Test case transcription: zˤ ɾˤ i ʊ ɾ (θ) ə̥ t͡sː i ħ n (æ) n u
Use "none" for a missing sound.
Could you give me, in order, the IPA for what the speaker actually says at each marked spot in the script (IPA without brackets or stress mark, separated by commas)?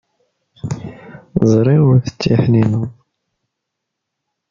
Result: θ, i